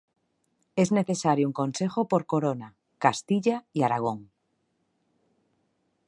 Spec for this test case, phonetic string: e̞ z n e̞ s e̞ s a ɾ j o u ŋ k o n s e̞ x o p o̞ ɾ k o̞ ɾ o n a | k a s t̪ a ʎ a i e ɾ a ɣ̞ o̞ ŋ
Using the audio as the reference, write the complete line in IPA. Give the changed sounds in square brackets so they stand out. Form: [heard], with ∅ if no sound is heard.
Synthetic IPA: e̞ z n e̞ [θ] e̞ s a ɾ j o u ŋ k o n s e̞ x o p o̞ ɾ k o̞ ɾ o n a | k a s t̪ [i] ʎ a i [a] ɾ a ɣ̞ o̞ ŋ